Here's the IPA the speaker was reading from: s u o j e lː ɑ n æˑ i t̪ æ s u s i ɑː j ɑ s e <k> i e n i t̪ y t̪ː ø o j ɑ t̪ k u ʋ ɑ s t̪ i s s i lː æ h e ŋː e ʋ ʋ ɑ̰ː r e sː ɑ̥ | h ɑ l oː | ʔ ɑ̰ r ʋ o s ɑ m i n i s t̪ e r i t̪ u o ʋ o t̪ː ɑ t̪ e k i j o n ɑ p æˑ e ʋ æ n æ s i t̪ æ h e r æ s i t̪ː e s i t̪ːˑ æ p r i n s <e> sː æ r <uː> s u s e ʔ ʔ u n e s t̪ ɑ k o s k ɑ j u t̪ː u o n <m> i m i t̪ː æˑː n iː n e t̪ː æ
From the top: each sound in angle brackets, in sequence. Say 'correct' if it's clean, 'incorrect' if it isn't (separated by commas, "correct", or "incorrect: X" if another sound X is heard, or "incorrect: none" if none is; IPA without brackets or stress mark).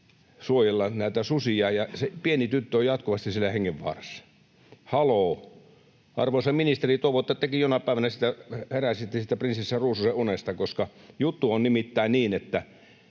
incorrect: p, incorrect: i, correct, incorrect: n